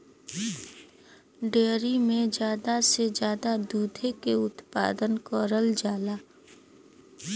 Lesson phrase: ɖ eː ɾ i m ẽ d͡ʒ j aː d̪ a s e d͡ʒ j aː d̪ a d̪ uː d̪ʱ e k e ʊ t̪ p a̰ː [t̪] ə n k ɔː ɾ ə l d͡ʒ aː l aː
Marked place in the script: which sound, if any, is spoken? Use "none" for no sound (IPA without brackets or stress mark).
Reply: d̪